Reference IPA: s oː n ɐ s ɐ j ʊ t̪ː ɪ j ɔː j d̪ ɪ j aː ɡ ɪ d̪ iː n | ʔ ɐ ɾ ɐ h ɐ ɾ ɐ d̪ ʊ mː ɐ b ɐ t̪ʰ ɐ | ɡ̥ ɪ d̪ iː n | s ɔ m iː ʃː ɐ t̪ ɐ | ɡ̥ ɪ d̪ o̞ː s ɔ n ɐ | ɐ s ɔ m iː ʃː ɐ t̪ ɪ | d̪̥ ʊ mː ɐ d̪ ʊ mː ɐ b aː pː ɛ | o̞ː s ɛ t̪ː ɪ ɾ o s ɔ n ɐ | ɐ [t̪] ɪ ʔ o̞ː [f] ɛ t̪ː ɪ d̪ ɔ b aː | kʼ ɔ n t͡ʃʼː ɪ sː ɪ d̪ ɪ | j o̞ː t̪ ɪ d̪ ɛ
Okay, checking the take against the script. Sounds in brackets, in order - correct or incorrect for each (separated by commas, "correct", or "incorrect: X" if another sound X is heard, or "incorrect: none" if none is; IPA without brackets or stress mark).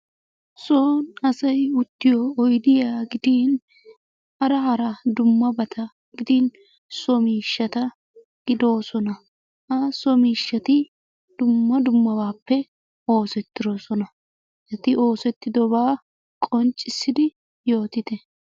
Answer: correct, incorrect: s